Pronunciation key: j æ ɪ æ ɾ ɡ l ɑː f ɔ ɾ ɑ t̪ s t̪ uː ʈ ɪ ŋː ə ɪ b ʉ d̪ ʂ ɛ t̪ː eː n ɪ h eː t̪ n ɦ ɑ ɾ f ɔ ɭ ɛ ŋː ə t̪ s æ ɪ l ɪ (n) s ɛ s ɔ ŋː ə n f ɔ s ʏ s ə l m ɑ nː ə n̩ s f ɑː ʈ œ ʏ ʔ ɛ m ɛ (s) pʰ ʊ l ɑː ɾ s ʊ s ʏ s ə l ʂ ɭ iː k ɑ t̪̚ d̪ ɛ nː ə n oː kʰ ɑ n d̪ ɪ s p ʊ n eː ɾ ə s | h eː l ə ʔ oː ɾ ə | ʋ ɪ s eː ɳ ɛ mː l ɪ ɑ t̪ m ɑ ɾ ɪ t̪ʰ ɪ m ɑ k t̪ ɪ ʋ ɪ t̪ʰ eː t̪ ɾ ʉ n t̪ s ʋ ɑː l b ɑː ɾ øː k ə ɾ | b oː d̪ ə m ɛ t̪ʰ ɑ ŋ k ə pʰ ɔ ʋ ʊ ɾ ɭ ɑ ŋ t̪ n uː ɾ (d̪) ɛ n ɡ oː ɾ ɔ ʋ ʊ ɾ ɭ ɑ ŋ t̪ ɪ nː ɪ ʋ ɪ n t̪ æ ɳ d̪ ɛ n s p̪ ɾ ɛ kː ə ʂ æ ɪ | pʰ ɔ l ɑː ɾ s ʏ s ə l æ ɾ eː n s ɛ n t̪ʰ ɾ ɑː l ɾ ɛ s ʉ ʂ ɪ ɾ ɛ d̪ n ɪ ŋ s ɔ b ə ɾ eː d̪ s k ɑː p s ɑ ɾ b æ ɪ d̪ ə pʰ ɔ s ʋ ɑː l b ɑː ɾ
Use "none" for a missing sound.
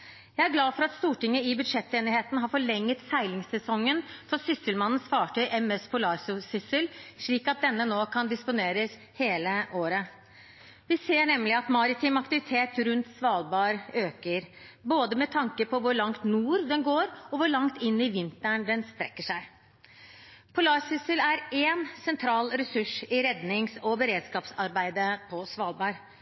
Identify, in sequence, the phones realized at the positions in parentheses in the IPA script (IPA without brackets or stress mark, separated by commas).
ŋ, s, d̪